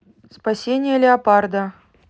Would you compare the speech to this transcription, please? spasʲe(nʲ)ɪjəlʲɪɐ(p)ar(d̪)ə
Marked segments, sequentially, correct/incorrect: correct, correct, correct

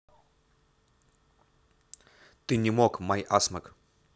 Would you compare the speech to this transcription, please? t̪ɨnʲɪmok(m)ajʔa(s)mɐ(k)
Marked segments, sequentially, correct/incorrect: correct, correct, correct

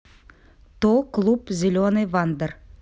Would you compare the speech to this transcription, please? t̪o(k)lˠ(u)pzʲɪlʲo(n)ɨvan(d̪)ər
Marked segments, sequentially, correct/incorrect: correct, correct, correct, correct

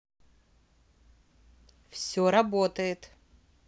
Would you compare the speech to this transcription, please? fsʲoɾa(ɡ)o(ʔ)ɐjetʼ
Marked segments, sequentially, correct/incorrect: incorrect: b, incorrect: t

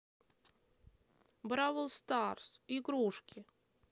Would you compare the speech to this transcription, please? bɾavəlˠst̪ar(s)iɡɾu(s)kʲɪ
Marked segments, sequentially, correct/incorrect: correct, incorrect: ʂ

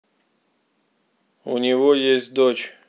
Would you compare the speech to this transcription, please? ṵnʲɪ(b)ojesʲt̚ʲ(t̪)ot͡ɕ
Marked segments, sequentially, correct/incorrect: incorrect: v, incorrect: d̪

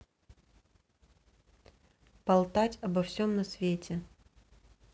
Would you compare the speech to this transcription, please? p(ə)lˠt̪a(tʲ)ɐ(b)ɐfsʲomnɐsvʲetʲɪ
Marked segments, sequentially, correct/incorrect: incorrect: ɐ, correct, correct

